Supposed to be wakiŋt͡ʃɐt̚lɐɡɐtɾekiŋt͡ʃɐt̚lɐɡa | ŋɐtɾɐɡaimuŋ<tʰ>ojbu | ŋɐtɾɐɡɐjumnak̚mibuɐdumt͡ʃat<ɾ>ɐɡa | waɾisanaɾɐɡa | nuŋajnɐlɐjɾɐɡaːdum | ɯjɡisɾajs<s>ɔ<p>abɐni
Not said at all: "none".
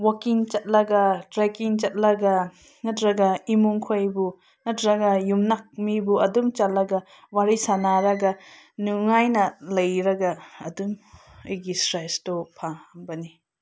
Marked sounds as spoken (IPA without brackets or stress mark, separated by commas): kʰ, l, t, pʰ